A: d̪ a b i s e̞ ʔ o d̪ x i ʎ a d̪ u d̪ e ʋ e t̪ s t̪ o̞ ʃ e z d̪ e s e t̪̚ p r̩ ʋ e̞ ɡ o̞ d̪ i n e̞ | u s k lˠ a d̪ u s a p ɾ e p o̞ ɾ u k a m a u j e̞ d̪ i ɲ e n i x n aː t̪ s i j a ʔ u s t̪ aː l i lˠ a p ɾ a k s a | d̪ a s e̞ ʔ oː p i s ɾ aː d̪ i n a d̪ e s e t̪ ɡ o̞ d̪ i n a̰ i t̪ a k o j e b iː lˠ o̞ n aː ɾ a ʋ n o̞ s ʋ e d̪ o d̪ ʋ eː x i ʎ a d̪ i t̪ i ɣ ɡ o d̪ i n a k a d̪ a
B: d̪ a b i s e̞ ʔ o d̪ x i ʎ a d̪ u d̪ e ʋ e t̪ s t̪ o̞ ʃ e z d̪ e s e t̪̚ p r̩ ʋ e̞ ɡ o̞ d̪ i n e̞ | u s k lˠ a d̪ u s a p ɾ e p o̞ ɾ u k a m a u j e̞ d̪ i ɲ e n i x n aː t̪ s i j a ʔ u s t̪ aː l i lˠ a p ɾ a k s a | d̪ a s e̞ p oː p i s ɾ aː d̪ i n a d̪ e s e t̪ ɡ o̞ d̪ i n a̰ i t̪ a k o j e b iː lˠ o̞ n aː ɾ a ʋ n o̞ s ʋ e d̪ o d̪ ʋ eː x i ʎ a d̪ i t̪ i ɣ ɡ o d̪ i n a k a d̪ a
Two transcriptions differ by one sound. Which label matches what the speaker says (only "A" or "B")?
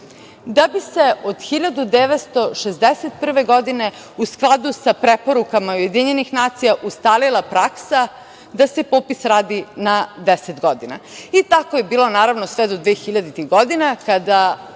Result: B